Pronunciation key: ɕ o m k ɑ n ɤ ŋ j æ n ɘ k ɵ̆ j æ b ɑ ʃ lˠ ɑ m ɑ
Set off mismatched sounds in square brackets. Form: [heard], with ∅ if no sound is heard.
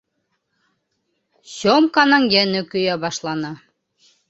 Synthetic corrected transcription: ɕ o m k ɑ n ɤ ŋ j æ n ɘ k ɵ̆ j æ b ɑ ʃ lˠ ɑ [n] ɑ